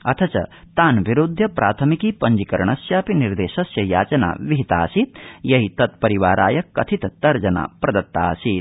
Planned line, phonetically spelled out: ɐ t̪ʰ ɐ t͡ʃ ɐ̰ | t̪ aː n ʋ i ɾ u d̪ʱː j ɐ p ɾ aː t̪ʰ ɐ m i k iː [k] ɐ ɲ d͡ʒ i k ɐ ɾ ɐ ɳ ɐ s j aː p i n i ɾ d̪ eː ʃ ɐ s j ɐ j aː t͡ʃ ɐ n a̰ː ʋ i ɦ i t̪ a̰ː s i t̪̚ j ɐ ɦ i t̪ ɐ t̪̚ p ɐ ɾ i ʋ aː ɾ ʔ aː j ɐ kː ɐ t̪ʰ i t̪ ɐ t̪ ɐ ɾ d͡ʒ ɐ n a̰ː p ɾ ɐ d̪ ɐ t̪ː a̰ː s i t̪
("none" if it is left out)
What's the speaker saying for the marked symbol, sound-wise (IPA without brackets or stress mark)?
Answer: p